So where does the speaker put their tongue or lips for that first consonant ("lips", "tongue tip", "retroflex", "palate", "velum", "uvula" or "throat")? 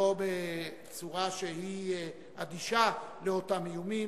lips